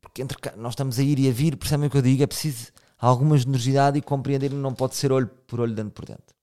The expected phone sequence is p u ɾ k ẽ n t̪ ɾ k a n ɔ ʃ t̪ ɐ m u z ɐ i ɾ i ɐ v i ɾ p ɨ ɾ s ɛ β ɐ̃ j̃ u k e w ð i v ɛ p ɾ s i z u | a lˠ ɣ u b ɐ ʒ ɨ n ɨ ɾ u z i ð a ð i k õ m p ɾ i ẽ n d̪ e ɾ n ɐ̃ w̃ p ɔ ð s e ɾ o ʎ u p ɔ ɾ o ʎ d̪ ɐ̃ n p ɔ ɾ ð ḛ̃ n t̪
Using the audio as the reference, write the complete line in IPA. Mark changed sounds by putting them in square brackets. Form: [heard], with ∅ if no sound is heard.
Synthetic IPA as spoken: p u ɾ k ẽ n t̪ ɾ k a n ɔ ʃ t̪ ɐ m u z ɐ i ɾ i ɐ v i ɾ p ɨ ɾ s ɛ β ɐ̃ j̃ u k e w ð i [ɣ] ɛ p ɾ s i z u | a lˠ ɣ u [m] ɐ ʒ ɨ n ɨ ɾ u z i ð a ð i k õ m p ɾ i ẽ n d̪ e ɾ n ɐ̃ w̃ p ɔ ð s e ɾ o ʎ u p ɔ ɾ o ʎ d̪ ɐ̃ n p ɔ ɾ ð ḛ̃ n t̪